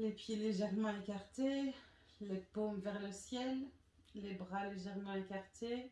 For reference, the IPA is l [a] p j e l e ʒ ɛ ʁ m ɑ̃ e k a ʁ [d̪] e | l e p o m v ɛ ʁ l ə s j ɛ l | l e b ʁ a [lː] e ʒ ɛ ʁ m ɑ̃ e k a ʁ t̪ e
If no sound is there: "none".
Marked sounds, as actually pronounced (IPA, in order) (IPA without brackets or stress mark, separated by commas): e, t̪, l